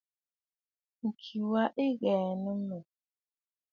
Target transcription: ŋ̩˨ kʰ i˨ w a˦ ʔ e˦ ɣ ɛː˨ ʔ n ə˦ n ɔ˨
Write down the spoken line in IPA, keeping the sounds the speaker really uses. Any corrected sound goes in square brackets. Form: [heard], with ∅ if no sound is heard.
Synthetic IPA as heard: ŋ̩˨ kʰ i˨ w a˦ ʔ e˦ ɣ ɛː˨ [∅] n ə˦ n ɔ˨